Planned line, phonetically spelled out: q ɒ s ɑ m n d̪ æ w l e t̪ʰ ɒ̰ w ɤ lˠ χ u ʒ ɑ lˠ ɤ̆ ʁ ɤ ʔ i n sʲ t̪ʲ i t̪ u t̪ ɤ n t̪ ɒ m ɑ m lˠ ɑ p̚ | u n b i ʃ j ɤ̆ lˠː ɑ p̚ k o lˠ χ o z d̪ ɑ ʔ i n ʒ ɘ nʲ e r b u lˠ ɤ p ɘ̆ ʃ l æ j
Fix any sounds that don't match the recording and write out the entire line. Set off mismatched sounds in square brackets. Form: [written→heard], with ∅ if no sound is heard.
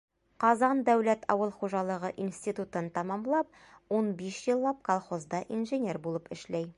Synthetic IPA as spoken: q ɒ [s→z] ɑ [m→∅] n d̪ æ w l [e→æ] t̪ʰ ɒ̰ w ɤ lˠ χ u ʒ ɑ lˠ ɤ̆ ʁ ɤ ʔ i n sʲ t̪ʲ i t̪ u t̪ ɤ n t̪ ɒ m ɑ m lˠ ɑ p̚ | u n b i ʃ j ɤ̆ lˠː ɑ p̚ k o lˠ χ o z d̪ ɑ ʔ i n ʒ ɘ nʲ e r b u lˠ ɤ p ɘ̆ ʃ l æ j